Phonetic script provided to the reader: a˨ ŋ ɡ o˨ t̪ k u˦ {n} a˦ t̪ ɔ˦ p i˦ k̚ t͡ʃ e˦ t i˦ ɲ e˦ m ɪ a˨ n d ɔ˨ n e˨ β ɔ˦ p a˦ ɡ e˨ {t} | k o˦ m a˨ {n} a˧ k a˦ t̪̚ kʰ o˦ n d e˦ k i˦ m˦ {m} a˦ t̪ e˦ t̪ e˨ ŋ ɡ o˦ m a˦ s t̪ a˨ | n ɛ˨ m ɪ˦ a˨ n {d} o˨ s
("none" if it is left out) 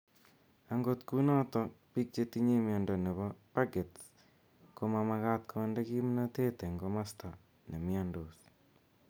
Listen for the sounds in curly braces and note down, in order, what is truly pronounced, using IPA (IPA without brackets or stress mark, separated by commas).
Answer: n, t, m, n, d